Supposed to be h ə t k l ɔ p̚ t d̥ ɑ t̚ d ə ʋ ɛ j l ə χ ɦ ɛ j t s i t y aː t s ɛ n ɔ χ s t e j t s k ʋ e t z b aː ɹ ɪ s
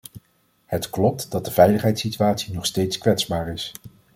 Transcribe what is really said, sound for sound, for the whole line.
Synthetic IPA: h ə t k l ɔ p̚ t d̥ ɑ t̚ d ə v ɛ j l ə χ ɦ ɛ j t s i t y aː t s i n ɔ χ s t e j t s k ʋ ɛ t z b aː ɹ ɪ s